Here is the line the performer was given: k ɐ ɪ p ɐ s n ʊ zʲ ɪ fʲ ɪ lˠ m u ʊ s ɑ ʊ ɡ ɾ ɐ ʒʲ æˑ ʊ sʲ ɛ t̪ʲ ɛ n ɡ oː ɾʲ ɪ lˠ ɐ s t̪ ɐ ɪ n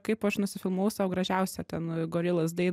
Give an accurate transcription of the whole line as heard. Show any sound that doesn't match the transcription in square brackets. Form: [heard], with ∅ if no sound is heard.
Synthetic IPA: k ɐ ɪ p ɐ [ʃ] n ʊ [sʲ] ɪ fʲ ɪ lˠ m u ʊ s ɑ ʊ ɡ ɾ ɐ ʒʲ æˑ ʊ sʲ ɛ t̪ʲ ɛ n ɡ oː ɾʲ ɪ lˠ ɐ s [d̪] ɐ ɪ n